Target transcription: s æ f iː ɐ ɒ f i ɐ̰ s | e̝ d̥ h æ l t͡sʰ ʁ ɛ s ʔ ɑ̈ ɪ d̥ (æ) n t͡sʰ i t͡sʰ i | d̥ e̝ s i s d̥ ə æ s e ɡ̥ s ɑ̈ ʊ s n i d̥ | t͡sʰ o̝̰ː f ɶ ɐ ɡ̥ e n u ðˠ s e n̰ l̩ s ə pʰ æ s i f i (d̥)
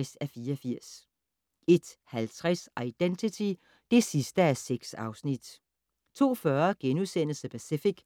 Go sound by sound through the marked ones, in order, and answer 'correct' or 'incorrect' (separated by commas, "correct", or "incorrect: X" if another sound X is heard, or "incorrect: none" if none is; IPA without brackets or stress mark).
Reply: incorrect: e, incorrect: ɡ̥